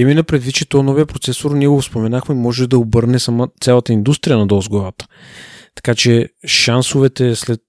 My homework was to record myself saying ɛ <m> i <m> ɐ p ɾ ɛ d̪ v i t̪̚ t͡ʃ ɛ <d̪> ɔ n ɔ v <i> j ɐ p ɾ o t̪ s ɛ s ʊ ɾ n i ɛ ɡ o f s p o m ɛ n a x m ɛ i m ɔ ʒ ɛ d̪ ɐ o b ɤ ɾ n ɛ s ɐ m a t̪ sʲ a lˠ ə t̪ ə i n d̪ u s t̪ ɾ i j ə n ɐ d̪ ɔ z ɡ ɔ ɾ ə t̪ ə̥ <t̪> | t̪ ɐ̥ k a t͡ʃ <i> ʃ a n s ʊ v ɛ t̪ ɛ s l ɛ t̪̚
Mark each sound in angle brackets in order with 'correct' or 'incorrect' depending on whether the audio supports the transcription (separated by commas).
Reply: correct, incorrect, incorrect, correct, incorrect, incorrect